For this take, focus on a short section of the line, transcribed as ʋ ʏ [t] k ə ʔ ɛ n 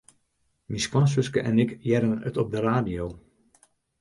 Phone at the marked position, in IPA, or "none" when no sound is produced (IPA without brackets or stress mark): s